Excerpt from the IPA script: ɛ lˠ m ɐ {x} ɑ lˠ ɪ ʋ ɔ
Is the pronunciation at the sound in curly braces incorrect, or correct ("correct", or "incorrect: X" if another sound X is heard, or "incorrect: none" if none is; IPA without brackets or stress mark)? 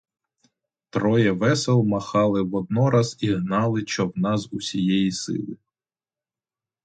correct